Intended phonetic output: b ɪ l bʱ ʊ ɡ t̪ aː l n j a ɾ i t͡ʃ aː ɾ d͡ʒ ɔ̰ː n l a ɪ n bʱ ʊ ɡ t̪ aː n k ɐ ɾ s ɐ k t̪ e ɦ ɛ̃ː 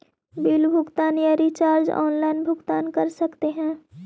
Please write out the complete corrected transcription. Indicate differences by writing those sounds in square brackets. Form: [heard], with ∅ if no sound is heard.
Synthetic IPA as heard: b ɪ l bʱ ʊ ɡ t̪ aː [∅] n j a ɾ i t͡ʃ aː ɾ d͡ʒ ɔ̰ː n l a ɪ n bʱ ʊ ɡ t̪ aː n k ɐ ɾ s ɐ k t̪ e ɦ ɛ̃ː

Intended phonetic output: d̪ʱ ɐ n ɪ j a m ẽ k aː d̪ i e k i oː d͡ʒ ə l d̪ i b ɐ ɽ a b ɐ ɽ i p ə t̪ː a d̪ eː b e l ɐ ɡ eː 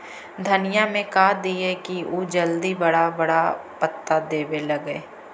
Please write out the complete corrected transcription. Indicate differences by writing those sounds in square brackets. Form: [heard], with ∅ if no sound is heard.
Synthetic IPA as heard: d̪ʱ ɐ n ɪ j a m ẽ k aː d̪ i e k i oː d͡ʒ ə l d̪ i b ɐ ɽ a b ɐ ɽ [a] p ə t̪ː a d̪ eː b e l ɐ ɡ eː

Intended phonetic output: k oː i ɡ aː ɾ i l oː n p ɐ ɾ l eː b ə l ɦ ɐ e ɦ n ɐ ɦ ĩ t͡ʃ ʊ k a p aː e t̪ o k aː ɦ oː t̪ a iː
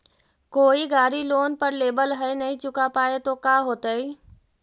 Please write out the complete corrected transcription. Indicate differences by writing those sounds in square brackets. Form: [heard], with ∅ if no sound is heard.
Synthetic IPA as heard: k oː i ɡ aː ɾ i l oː n p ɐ ɾ l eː b ə l ɦ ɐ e [∅] n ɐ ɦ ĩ t͡ʃ ʊ k a p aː e t̪ o k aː ɦ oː t̪ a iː

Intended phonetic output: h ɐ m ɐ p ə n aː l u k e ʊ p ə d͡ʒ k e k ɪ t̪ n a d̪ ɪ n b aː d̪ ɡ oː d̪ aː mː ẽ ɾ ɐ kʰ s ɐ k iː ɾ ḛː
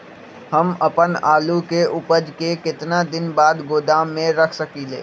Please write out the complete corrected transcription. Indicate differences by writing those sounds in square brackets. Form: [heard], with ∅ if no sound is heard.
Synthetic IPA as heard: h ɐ m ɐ p ə n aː l u k e ʊ p ə d͡ʒ k e k ɪ t̪ n a d̪ ɪ n b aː d̪ ɡ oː d̪ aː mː ẽ ɾ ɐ kʰ s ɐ k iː [l] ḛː

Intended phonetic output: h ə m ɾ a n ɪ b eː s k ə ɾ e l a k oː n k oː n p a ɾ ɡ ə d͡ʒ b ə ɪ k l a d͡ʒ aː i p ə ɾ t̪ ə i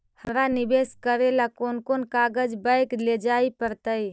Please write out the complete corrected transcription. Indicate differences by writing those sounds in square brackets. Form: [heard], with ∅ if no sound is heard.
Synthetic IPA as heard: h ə m ɾ a n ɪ b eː s k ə ɾ e l a k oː n k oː n [k] a [∅] ɡ ə d͡ʒ b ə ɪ k l [e] d͡ʒ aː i p ə ɾ t̪ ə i

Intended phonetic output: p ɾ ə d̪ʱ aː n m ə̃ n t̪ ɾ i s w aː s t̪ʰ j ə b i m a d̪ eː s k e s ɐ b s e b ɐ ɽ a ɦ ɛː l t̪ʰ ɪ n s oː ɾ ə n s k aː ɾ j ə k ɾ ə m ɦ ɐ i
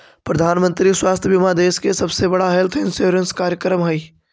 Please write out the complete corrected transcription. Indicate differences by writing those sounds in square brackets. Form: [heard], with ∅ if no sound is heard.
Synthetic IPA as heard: p ɾ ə d̪ʱ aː n m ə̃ n t̪ ɾ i s w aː s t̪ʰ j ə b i m a d̪ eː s k e s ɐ b s e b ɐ ɽ a ɦ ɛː l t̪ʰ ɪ n s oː ɾ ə n s k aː ɾ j ə k ɾ ə m ɦ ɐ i

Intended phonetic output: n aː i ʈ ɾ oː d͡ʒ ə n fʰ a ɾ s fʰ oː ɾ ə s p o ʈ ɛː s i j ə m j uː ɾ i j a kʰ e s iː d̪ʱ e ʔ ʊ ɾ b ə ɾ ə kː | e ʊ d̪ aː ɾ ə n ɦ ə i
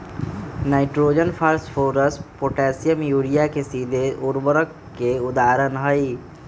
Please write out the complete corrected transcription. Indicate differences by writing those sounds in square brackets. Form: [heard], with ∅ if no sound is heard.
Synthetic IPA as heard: n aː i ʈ ɾ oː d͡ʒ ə n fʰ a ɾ s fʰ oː ɾ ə s p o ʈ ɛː s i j ə m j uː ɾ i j a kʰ e s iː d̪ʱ e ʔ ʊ ɾ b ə ɾ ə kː | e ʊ d̪ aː ɾ ə n ɦ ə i

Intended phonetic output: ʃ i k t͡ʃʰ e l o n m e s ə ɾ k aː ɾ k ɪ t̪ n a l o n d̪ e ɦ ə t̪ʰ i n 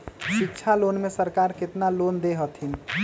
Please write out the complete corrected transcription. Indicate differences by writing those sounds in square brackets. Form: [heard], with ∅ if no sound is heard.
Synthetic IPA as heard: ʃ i k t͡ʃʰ [a] l o n m e s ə ɾ k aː ɾ k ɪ t̪ n a l o n d̪ e ɦ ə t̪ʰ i n

